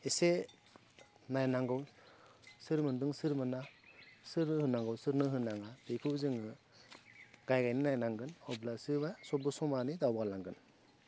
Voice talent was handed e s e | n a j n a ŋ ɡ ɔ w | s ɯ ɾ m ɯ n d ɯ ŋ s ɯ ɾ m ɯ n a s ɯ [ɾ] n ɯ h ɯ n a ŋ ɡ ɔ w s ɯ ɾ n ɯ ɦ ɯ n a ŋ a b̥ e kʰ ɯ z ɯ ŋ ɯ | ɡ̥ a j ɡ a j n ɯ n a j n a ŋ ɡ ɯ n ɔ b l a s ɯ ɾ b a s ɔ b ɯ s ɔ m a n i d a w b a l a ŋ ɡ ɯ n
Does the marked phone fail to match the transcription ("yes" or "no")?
no